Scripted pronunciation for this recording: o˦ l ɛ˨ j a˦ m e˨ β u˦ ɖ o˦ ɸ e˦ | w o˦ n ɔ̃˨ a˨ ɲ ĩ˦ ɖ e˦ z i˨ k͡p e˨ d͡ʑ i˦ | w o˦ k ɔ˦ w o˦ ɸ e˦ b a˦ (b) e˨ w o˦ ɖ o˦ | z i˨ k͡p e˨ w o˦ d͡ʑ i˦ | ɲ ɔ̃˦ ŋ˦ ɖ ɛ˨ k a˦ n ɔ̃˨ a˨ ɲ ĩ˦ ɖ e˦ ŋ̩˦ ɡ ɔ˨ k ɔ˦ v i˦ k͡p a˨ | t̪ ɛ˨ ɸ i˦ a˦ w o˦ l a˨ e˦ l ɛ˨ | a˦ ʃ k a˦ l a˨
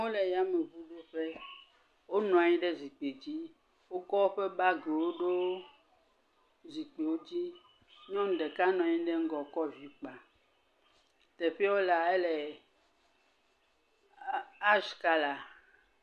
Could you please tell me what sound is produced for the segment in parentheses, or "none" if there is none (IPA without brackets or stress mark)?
ɡ